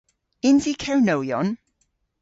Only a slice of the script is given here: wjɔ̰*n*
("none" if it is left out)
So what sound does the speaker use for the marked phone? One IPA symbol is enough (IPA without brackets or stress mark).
n